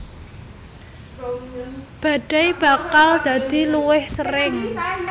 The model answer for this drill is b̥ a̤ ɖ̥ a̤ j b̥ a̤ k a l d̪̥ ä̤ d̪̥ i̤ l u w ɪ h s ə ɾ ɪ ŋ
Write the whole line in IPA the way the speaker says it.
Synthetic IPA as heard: b̥ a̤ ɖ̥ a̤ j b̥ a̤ k a l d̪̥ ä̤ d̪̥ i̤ l u w ɪ h s ə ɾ ɪ ŋ